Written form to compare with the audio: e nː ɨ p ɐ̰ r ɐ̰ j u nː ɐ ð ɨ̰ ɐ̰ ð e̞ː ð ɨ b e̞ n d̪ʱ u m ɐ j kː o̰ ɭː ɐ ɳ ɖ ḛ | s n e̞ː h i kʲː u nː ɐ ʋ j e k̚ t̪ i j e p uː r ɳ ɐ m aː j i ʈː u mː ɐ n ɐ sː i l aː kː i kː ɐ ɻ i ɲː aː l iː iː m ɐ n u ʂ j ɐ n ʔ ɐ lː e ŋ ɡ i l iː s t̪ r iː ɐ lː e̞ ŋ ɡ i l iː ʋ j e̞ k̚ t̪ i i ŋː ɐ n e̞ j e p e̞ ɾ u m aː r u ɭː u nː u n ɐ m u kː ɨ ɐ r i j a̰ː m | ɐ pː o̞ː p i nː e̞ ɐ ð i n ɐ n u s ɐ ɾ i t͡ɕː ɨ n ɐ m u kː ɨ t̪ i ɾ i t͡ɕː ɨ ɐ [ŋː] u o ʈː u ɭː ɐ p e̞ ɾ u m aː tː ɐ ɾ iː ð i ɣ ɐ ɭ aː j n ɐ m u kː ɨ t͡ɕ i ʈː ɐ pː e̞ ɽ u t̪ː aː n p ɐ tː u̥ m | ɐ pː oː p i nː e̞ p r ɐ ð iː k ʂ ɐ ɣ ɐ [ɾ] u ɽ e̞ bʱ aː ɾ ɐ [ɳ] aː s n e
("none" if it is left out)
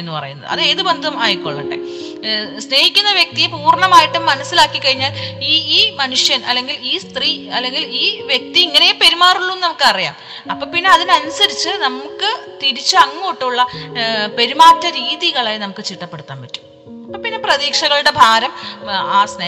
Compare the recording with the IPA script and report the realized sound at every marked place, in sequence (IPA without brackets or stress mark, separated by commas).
ŋː, ɭ, m